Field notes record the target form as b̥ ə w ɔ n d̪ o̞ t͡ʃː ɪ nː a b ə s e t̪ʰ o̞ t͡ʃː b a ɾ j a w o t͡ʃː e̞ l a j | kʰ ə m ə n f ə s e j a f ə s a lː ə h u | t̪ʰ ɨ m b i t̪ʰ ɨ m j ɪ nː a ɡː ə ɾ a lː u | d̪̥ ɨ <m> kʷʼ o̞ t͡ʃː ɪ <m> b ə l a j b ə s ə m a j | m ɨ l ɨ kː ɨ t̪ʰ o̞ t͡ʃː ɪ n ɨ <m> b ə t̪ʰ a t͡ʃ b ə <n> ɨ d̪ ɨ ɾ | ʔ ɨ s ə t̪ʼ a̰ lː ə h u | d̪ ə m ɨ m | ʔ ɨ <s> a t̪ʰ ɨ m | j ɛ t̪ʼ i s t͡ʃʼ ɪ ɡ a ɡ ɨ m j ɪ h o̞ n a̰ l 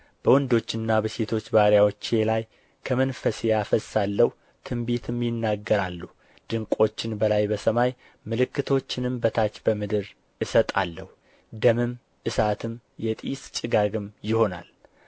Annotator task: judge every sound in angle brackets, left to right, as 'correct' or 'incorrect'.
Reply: incorrect, incorrect, correct, incorrect, correct

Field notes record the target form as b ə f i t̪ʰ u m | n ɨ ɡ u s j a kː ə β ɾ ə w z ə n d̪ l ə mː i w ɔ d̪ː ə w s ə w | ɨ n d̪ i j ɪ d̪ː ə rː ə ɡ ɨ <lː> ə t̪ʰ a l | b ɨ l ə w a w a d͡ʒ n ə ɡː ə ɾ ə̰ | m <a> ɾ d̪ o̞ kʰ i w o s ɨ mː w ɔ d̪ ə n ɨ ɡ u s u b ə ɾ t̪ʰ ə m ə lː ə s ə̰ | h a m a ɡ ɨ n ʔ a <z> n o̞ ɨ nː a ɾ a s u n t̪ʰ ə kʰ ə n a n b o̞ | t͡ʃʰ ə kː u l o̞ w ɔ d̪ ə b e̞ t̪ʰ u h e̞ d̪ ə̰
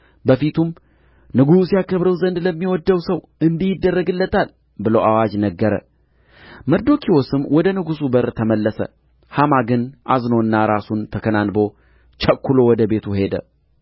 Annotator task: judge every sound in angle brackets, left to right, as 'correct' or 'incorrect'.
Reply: correct, incorrect, correct

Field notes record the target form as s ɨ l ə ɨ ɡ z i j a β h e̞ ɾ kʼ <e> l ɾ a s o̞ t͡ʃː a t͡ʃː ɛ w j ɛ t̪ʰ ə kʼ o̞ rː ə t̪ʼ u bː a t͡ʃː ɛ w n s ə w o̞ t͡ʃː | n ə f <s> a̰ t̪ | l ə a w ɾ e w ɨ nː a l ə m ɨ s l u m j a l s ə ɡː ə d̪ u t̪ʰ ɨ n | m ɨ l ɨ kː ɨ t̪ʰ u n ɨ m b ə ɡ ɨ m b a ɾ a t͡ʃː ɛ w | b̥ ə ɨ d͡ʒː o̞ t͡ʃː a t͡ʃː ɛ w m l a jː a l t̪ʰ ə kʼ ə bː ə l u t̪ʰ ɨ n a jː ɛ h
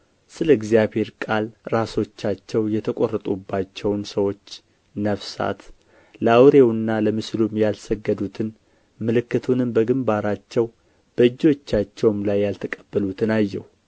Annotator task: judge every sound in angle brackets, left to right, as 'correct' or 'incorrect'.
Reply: incorrect, correct

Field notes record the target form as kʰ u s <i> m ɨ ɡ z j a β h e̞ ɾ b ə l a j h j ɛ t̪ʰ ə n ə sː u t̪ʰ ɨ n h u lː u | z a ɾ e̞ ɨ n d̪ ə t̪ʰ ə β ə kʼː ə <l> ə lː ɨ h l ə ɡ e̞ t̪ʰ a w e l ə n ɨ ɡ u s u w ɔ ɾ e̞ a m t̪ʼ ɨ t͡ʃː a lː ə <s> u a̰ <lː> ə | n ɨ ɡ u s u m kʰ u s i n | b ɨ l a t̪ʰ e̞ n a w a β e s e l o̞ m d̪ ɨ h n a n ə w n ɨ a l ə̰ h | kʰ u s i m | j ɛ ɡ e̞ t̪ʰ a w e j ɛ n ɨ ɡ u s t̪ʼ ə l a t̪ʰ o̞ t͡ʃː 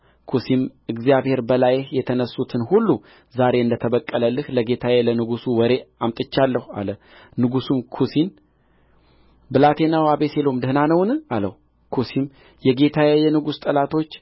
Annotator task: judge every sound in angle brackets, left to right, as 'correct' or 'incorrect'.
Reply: correct, correct, incorrect, incorrect

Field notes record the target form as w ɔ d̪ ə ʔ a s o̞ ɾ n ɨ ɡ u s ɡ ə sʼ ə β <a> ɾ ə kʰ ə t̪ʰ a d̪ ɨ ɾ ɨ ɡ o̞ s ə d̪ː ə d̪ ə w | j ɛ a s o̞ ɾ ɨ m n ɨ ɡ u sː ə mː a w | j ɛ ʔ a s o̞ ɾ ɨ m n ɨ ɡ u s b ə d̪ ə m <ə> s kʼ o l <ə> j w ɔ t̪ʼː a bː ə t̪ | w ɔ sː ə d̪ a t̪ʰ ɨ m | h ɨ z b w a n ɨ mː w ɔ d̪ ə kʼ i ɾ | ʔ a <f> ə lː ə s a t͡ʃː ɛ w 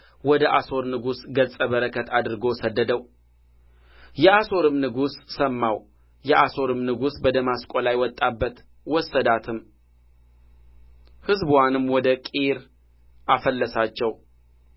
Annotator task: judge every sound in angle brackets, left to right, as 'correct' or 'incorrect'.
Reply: incorrect, incorrect, incorrect, correct

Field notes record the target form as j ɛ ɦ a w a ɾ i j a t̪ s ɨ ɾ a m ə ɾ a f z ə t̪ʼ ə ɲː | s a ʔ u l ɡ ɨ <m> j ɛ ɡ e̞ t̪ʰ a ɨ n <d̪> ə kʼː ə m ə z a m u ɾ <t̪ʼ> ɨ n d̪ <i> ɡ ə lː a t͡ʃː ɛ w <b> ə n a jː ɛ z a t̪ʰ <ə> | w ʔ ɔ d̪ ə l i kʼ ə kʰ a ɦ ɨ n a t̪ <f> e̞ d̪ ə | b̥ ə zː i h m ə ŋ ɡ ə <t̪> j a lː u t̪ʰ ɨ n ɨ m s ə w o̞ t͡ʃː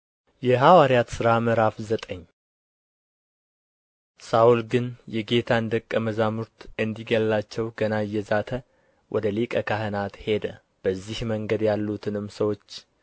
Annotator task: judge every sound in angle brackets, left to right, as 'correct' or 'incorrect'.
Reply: incorrect, correct, incorrect, correct, incorrect, correct, incorrect, incorrect

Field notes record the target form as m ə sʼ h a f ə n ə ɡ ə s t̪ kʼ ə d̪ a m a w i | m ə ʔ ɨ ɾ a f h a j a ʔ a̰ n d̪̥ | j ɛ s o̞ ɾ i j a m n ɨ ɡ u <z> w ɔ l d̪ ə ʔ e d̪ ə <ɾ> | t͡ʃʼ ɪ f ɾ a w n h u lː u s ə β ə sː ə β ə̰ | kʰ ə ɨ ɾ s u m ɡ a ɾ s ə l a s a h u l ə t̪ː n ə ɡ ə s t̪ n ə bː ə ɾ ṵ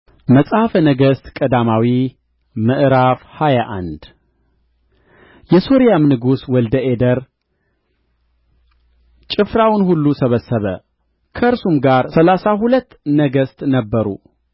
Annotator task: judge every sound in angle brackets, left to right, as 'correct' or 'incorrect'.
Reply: incorrect, correct

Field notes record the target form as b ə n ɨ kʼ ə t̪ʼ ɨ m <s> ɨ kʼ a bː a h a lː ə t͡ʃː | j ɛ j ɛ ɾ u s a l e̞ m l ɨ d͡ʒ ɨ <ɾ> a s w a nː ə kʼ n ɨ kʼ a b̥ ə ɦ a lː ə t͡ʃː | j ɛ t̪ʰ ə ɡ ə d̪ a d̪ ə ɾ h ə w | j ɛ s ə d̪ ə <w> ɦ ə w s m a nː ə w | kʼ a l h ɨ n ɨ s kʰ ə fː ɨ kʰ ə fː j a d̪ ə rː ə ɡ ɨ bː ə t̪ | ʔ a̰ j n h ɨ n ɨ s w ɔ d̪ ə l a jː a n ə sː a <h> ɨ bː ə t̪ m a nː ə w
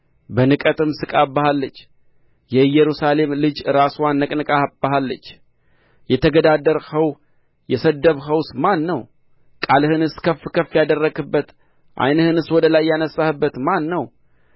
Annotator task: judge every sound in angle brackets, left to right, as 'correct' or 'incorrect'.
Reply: correct, correct, incorrect, correct

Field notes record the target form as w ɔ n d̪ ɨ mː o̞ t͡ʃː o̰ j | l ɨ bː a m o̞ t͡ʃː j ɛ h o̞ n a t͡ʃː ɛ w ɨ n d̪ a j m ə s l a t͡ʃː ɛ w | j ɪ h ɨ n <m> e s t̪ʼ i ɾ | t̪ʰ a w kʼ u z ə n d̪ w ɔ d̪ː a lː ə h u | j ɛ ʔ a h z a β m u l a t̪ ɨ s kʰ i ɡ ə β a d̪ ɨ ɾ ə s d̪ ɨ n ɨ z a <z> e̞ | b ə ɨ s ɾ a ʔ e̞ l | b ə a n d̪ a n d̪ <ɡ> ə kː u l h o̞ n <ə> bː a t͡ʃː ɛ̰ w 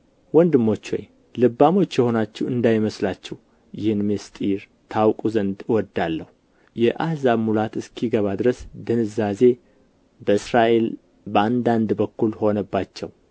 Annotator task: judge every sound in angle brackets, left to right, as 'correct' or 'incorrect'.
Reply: correct, correct, incorrect, correct

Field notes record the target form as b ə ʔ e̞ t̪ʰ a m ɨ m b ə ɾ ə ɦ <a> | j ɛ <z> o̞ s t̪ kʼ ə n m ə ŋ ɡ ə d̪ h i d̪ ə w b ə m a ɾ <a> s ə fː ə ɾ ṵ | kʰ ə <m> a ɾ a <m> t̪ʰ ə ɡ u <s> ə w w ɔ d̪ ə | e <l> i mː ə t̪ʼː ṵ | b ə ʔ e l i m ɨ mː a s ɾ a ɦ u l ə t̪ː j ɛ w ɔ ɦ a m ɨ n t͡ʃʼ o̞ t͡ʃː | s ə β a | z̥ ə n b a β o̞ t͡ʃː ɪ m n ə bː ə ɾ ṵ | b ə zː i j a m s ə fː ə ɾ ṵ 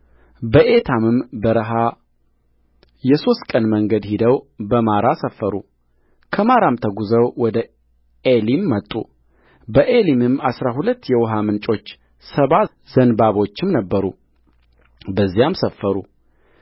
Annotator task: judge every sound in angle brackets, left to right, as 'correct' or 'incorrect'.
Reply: correct, incorrect, correct, correct, correct, incorrect, correct

